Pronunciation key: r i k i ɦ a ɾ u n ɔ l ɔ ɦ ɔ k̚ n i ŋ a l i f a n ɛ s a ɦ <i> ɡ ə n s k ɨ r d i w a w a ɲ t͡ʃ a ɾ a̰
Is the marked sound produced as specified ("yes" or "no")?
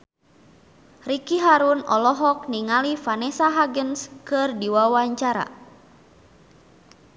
no